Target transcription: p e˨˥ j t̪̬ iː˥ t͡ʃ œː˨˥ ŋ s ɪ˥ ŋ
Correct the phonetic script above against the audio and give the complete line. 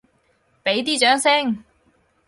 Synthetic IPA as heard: p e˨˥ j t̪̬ iː˥ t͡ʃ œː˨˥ ŋ s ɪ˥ ŋ